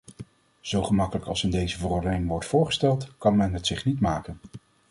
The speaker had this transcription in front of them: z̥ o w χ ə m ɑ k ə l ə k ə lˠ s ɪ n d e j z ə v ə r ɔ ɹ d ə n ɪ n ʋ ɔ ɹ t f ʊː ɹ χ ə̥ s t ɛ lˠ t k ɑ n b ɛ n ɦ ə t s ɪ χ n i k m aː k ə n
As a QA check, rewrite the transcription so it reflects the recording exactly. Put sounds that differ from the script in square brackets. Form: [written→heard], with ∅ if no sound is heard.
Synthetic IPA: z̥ o w χ ə m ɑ k ə l ə k [ə→ɑ] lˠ s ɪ n d e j z ə v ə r ɔ ɹ d ə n ɪ [n→ŋ] ʋ ɔ ɹ t f ʊː ɹ χ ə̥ s t ɛ lˠ t k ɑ n [b→m] ɛ n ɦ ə t s ɪ χ n i [k→t] m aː k ə n